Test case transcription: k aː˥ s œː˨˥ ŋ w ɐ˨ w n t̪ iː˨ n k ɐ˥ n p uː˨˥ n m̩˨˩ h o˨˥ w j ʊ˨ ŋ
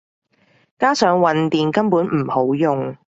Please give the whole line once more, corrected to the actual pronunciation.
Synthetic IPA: k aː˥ s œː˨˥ ŋ w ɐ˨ n t̪ iː˨ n k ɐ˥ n p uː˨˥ n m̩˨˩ h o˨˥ w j ʊ˨ ŋ